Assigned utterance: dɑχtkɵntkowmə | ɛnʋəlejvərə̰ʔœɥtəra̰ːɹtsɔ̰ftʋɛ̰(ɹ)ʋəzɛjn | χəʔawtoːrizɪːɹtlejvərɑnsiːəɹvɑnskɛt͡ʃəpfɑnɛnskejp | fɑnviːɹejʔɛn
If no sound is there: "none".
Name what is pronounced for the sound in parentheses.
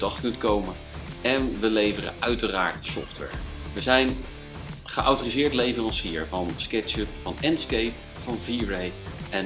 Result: ɹ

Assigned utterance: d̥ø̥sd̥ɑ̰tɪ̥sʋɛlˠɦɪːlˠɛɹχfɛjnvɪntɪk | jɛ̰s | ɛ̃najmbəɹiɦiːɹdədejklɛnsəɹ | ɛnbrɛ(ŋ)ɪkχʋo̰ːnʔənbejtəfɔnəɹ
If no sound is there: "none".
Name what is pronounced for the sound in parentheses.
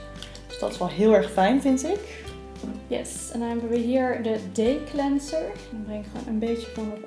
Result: ŋ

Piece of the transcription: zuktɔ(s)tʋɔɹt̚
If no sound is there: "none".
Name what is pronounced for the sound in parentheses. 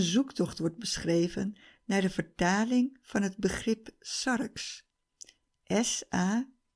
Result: χ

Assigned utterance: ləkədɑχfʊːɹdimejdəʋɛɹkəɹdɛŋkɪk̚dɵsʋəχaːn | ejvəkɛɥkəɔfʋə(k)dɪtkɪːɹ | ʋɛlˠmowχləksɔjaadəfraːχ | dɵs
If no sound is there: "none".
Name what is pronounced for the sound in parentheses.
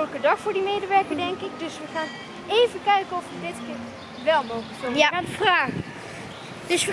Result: none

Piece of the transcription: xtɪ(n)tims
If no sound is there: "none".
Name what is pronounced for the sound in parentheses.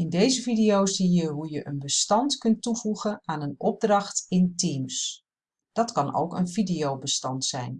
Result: n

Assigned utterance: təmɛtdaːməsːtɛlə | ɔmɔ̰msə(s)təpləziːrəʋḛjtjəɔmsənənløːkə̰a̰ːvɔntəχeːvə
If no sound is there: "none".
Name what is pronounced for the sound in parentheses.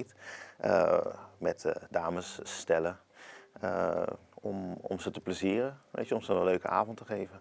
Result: none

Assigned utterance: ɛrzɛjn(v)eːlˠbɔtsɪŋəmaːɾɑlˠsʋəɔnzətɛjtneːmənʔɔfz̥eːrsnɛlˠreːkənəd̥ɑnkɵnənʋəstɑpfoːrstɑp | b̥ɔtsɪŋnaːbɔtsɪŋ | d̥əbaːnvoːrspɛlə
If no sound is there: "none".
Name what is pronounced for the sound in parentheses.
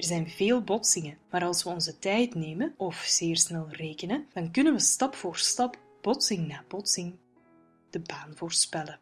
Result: v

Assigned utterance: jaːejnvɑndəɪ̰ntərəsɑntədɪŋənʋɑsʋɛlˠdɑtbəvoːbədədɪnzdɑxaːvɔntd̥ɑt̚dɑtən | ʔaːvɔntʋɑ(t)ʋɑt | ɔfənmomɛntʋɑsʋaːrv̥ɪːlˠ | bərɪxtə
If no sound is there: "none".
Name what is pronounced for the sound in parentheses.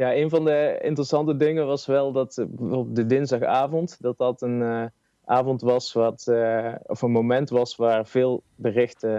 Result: s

